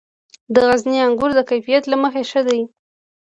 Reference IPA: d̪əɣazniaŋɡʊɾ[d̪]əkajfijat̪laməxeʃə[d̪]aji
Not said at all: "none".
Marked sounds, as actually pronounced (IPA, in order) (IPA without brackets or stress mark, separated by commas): d̪, d̪